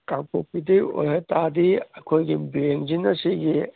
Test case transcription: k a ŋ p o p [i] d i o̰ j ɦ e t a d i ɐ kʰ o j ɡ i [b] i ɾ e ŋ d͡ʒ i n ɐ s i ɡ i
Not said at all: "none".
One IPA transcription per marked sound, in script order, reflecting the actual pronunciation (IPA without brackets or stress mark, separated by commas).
i, b